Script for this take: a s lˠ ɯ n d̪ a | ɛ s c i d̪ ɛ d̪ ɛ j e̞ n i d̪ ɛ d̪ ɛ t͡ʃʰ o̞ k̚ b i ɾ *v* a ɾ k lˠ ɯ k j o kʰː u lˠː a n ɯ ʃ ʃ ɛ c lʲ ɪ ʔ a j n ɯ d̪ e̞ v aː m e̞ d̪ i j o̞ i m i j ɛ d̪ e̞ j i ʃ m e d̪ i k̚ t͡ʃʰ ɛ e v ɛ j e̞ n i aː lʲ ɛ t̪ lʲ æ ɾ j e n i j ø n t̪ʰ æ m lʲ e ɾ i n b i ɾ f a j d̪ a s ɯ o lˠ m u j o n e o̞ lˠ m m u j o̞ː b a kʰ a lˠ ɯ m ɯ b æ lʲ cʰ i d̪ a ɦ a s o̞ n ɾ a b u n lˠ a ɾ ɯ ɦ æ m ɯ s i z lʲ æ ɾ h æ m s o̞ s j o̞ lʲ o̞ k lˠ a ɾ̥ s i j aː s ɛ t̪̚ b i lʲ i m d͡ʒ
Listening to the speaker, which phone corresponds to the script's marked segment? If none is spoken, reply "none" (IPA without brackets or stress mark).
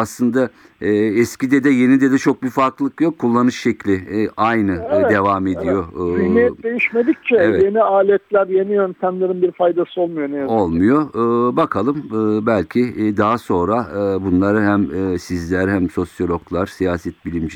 f